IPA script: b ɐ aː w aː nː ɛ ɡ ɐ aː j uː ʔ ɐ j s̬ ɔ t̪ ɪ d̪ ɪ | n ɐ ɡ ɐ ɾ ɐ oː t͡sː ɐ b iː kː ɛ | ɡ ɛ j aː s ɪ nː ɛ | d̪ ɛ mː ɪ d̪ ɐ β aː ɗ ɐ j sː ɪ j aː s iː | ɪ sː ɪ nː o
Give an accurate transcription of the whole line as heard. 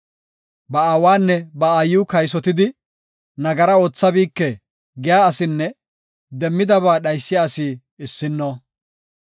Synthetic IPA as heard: b ɐ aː w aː nː ɛ b ɐ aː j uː k ɐ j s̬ ɔ t̪ ɪ d̪ ɪ | n ɐ ɡ ɐ ɾ ɐ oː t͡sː ɐ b iː kː ɛ | ɡ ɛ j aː s ɪ nː ɛ | d̪ ɛ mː ɪ d̪ ɐ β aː ɗ ɐ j sː ɪ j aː s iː | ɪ sː ɪ nː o